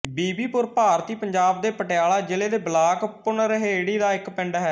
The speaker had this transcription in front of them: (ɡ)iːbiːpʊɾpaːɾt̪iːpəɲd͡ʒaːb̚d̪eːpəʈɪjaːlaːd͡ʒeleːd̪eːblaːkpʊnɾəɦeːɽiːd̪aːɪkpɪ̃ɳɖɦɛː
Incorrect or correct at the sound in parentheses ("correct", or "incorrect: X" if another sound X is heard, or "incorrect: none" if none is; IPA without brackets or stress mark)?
incorrect: b